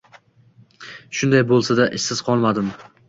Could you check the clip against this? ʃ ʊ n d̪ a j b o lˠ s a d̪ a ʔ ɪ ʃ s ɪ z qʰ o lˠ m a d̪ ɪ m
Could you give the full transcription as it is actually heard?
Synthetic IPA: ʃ ʊ n d̪ a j b o lˠ s a d̪ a ʔ ɪ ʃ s ɪ z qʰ ɒ lˠ m a d̪ ɪ m

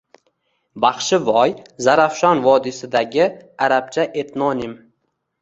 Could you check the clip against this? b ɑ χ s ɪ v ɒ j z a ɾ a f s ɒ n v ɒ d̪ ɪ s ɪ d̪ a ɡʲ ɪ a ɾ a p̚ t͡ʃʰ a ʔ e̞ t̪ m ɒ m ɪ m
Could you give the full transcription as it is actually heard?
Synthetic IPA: b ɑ χ ʃ ɪ v ɒ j z a ɾ a f ʃ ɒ n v ɒ d̪ ɪ s ɪ d̪ a ɡʲ ɪ a ɾ a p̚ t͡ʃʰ a ʔ e̞ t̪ n ɒ n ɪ m

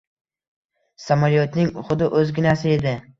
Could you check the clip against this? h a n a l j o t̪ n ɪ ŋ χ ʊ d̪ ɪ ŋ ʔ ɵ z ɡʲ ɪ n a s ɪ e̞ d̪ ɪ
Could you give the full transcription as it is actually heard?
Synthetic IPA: s a m a l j o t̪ n ɪ ŋ χ ʊ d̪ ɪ ʔ ɵ z ɡʲ ɪ n a s ɪ e̞ d̪ ɪ

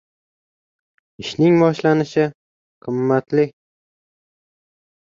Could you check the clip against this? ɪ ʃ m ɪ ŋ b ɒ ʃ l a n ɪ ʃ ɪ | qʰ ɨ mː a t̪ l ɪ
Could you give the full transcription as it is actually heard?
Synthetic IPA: ɪ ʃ n ɪ ŋ b ɒ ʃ l a n ɪ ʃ ɪ | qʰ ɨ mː a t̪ l ɪ

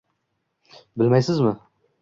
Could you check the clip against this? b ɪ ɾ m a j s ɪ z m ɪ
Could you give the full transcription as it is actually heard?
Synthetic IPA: b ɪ l m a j s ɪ z m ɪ

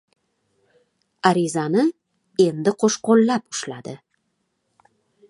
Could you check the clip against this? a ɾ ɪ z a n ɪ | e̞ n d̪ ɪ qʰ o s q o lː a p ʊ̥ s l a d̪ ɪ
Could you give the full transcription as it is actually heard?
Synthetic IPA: a ɾ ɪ z a n ɪ | e̞ n d̪ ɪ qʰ o ʃ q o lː a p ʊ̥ ʃ l a d̪ ɪ

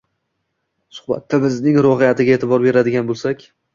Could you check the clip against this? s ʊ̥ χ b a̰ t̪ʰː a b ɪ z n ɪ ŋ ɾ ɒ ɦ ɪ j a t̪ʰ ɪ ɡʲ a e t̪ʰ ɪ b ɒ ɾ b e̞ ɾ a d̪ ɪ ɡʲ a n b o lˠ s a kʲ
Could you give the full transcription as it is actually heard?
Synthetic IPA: s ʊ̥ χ b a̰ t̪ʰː a b ɪ z n ɪ ŋ ɾ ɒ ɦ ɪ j a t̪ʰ ɪ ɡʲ a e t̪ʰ ɪ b ɒ ɾ b e̞ ɾ a d̪ ɪ ɡʲ a n b o lˠ s a kʲ

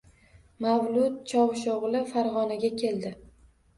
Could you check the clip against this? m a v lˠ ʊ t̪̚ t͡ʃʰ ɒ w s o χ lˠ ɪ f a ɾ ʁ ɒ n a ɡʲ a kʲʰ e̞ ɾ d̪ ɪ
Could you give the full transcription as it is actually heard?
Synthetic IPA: m a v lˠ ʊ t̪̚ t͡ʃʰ ɒ w ʃ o ʁ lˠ ɪ f a ɾ ʁ ɒ n a ɡʲ a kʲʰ e̞ l d̪ ɪ

